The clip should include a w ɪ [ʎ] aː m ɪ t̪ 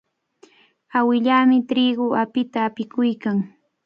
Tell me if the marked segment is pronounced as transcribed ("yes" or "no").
yes